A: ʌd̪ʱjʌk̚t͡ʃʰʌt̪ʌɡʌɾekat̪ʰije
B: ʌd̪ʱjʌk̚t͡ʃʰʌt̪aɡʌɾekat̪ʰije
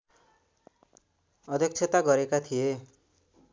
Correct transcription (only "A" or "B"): B